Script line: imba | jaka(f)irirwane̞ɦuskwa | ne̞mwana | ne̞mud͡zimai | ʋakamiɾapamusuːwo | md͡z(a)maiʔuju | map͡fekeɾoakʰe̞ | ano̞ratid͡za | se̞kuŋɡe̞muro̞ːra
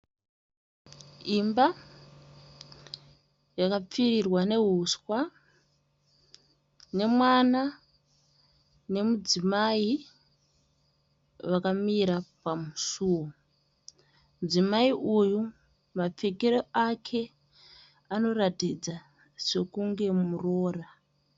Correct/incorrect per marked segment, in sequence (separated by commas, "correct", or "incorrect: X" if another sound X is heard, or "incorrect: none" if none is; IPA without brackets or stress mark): incorrect: p͡f, incorrect: i